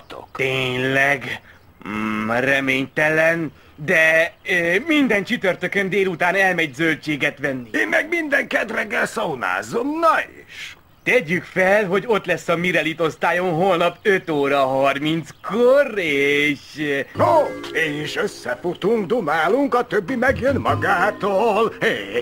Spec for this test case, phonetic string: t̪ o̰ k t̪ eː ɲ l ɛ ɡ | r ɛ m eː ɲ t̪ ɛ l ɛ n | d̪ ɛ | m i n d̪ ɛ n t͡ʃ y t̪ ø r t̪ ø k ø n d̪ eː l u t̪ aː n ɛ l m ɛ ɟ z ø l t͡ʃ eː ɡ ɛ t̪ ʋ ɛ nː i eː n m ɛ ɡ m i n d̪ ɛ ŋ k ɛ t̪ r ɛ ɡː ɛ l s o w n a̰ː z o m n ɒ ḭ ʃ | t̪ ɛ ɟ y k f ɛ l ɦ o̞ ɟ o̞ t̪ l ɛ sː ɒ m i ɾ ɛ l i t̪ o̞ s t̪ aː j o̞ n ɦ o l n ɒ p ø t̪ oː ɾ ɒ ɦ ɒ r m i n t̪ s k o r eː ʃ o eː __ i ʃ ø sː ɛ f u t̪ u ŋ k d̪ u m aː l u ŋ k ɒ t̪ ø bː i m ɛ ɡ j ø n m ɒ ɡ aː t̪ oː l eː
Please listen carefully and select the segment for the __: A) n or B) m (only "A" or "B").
A